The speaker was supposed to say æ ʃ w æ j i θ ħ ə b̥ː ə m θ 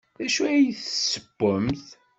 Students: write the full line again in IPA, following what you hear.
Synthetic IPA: æ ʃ u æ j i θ s ə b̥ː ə m θ

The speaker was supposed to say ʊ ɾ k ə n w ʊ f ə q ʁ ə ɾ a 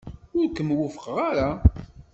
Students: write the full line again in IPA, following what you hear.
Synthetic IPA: ʊ ɾ k ə m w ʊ f ə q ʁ a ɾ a

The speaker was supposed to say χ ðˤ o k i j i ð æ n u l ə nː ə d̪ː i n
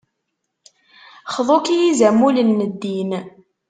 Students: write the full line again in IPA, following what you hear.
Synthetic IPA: χ ðˤ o k i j i z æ m u l ə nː ə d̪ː i n

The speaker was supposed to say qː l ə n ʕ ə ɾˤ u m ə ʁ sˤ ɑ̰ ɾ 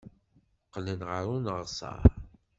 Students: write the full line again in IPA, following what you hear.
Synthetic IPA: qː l ə n ʁ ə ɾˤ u n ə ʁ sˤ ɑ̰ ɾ

